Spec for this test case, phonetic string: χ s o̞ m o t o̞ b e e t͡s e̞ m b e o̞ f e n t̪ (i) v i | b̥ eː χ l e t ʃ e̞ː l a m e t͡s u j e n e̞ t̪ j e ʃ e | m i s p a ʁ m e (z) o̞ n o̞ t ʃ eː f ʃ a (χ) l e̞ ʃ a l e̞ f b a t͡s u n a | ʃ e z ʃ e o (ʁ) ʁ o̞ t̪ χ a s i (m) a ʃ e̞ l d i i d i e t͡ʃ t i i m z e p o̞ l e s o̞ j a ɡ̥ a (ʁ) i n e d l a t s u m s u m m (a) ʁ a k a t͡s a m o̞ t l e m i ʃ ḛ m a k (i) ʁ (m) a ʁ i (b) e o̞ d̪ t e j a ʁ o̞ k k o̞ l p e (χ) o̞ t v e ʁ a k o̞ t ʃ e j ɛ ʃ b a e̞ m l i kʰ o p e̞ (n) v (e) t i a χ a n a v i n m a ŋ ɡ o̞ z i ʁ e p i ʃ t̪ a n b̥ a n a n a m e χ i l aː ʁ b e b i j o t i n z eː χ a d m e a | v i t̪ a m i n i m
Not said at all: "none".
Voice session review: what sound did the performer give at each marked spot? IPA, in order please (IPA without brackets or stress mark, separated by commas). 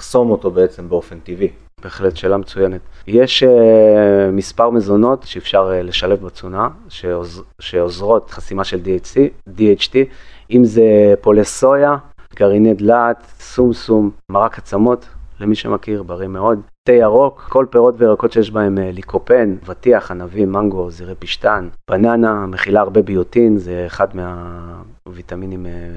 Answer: i, z, ʁ, z, m, ʁ, a, i, b, m, ʁ, n, a